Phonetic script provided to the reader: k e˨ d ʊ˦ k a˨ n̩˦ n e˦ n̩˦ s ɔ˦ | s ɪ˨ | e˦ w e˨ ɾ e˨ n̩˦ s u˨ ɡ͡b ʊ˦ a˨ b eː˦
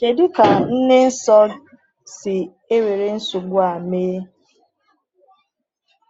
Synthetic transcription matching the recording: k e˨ d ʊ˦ k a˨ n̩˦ n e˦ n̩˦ s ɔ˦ | s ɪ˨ | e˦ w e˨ ɾ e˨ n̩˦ s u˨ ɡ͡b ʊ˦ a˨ m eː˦